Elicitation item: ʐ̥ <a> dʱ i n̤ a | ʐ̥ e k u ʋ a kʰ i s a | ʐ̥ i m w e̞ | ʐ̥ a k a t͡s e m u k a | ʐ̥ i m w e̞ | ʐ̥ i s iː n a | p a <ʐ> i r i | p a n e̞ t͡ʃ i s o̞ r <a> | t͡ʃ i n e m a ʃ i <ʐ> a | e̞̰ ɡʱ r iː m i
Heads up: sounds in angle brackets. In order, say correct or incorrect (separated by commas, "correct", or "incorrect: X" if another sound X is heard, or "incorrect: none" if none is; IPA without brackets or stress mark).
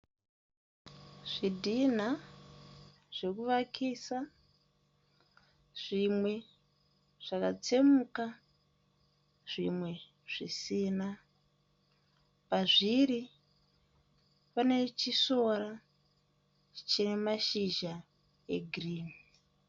incorrect: i, correct, correct, incorrect: ʒ